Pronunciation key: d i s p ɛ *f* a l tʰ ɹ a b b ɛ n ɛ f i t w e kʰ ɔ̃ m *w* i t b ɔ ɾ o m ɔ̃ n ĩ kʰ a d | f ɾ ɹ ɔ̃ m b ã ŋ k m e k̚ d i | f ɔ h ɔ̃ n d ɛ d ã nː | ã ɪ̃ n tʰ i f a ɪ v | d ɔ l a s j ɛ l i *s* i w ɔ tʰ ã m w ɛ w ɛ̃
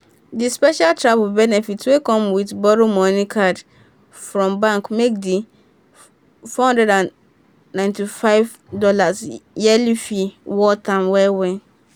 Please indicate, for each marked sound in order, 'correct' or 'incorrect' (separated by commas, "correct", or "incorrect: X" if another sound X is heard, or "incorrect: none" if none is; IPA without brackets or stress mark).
incorrect: ʃ, correct, incorrect: f